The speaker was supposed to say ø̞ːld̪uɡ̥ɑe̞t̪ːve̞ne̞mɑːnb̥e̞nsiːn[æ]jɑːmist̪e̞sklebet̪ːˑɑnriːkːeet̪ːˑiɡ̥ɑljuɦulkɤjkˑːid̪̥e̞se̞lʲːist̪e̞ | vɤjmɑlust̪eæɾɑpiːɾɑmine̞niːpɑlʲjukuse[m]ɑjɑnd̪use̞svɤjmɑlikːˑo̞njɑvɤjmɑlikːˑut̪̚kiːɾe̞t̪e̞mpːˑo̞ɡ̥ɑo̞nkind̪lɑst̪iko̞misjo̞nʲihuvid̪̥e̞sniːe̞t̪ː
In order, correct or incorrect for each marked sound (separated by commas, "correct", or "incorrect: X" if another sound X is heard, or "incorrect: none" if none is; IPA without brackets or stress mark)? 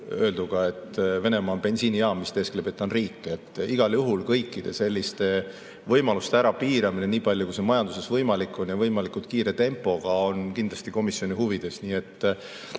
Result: incorrect: i, correct